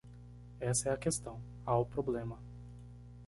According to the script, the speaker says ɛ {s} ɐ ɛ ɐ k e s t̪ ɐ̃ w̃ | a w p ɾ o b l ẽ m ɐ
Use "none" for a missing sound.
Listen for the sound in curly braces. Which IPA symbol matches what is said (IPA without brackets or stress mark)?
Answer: s